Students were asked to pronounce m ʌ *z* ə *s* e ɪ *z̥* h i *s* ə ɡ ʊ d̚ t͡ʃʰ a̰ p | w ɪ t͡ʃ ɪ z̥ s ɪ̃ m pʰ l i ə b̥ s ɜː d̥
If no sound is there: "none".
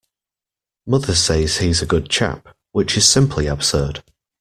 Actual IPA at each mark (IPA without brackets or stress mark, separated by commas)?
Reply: ð, s, z̥, z